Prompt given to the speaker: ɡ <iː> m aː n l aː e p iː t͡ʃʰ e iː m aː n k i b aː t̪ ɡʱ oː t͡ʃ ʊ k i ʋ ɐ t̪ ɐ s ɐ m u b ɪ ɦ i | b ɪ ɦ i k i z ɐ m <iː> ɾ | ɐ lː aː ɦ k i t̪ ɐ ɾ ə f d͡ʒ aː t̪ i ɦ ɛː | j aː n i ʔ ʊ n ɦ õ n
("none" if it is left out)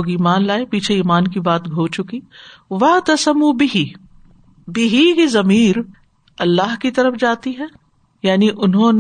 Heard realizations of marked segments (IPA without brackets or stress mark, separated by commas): iː, iː